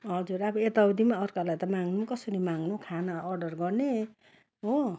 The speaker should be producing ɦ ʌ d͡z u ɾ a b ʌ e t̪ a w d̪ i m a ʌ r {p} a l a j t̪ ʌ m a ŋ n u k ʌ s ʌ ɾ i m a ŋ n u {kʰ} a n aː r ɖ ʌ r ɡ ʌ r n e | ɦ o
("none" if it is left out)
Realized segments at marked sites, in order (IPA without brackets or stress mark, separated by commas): k, kʰ